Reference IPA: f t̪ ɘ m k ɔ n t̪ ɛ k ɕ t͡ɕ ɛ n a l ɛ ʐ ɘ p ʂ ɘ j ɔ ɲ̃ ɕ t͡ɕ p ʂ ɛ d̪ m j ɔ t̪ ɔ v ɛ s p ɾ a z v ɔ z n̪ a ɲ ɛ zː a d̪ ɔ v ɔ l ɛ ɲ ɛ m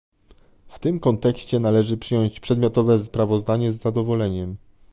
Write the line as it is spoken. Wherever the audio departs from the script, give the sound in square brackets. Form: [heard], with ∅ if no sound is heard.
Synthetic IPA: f t̪ ɘ m k ɔ n t̪ ɛ k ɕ t͡ɕ ɛ n a l ɛ ʐ ɘ p ʂ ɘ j ɔ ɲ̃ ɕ t͡ɕ p ʂ ɛ d̪ m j ɔ t̪ ɔ v ɛ s p ɾ a [∅] v ɔ z [d̪] a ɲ ɛ zː a d̪ ɔ v ɔ l ɛ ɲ ɛ m